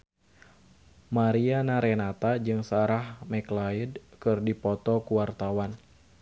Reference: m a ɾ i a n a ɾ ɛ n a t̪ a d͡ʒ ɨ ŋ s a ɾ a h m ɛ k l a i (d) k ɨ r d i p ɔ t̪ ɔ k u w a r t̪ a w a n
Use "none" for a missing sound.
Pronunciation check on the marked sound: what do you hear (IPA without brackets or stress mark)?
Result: d